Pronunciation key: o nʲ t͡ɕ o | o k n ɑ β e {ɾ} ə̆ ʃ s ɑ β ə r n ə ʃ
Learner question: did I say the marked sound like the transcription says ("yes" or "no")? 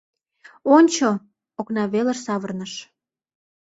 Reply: no